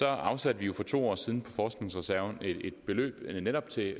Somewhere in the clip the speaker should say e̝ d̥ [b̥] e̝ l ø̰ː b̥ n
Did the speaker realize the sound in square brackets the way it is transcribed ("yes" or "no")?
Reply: yes